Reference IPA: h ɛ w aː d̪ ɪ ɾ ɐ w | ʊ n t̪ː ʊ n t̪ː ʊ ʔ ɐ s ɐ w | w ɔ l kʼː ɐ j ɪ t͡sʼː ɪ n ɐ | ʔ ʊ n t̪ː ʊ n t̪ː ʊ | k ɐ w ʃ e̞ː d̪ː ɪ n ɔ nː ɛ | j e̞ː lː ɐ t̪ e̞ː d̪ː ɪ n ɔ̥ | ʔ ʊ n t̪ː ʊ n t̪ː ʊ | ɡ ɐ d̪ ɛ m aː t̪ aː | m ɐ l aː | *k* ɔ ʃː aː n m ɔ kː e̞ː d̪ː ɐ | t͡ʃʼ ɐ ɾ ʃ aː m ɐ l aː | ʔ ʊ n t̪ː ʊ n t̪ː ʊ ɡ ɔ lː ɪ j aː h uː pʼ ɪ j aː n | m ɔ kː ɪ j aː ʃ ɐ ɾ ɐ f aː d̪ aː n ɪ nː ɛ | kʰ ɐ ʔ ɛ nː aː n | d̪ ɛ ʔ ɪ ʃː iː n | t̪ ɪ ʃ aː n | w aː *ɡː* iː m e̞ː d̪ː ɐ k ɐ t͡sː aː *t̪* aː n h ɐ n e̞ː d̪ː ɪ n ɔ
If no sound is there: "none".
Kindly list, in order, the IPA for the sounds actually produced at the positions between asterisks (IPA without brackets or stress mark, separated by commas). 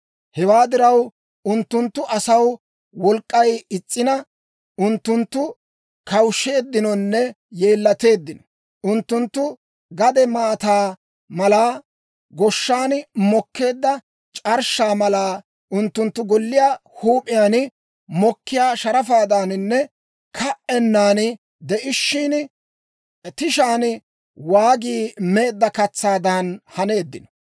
ɡ, ɡ, d̪